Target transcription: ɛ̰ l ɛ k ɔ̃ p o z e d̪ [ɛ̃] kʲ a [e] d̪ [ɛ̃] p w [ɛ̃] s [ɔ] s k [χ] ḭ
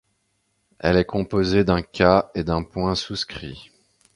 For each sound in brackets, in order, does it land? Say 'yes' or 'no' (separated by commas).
yes, yes, yes, yes, no, yes